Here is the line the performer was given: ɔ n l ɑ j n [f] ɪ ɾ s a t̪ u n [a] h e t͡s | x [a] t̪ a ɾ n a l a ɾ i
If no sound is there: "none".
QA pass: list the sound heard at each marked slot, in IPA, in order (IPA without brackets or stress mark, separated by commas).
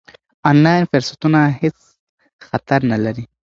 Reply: f, a, a